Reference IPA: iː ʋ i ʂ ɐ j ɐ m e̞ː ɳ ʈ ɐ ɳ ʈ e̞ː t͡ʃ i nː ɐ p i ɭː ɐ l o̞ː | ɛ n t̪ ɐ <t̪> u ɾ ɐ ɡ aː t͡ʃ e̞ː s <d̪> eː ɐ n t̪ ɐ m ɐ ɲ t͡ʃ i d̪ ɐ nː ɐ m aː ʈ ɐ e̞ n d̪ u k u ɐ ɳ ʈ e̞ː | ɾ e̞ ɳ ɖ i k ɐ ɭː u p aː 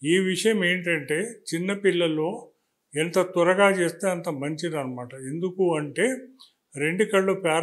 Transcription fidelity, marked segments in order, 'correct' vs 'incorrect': correct, incorrect: t̪

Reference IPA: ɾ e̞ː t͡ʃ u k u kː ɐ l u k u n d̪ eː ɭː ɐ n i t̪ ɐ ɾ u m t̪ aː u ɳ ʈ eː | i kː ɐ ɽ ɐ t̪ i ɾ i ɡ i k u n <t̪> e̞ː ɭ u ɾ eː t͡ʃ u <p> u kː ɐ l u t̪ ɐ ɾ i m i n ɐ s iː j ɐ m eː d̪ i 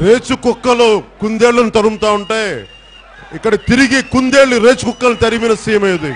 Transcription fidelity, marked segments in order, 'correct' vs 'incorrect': incorrect: d̪, incorrect: k

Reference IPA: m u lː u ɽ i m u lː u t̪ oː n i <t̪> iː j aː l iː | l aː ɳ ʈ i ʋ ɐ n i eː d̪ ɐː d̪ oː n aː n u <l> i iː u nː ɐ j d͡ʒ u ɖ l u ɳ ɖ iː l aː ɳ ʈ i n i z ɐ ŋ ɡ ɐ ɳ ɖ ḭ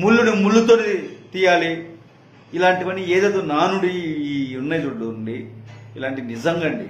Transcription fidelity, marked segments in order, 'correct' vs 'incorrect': correct, incorrect: ɽ

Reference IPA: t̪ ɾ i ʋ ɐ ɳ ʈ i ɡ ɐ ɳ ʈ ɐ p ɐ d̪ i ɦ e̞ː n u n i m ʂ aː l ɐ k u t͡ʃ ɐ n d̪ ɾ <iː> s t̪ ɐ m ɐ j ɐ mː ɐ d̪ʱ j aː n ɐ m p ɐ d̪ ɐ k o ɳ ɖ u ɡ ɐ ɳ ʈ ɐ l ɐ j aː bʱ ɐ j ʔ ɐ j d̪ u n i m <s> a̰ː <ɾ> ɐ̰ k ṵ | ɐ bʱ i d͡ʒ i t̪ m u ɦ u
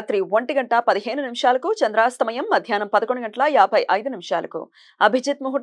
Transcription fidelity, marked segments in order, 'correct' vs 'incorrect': incorrect: aː, incorrect: ʂ, incorrect: l

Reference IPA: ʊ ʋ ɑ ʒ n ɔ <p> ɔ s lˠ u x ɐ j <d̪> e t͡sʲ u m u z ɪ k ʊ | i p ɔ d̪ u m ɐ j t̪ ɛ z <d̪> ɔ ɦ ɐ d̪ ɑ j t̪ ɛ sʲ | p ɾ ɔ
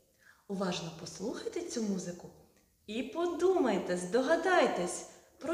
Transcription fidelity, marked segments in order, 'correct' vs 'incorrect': correct, incorrect: t̪, correct

